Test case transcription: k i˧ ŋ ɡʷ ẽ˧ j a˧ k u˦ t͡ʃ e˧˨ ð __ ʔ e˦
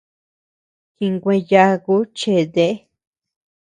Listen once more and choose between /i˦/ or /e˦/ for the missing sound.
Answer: e˦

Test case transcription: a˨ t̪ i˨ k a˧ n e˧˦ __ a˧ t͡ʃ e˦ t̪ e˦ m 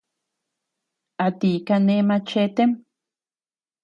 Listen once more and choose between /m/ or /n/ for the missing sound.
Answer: m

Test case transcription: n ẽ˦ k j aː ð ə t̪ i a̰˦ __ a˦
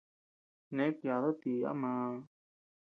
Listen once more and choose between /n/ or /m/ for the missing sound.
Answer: m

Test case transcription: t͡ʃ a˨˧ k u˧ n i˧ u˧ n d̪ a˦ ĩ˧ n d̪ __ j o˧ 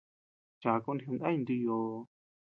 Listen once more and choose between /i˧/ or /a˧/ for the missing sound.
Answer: i˧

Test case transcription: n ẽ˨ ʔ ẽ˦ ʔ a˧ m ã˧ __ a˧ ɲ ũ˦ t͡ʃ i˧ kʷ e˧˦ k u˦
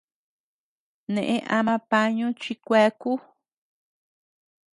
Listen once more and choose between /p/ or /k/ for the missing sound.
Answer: p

